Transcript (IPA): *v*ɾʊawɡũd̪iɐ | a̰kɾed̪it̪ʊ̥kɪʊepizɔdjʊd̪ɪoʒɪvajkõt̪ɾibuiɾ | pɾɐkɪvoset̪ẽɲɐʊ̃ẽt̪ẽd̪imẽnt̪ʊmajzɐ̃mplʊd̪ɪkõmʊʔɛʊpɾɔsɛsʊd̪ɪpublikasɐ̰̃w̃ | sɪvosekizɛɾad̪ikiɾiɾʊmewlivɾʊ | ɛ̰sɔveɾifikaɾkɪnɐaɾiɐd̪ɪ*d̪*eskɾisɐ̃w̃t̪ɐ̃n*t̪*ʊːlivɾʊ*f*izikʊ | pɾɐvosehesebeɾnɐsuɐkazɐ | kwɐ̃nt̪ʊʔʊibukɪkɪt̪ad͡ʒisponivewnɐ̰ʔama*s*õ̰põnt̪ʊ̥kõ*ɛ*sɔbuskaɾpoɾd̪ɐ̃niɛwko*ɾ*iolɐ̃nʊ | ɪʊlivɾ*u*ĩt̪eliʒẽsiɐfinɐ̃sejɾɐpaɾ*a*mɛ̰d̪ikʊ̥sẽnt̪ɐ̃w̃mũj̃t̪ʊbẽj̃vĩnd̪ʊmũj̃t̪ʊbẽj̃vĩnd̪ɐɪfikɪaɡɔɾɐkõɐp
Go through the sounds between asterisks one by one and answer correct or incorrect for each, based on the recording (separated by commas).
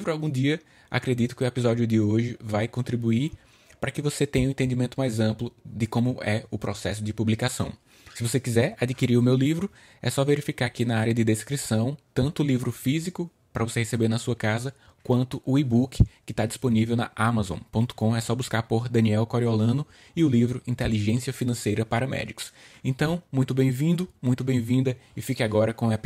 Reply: correct, correct, correct, correct, incorrect, correct, correct, incorrect, incorrect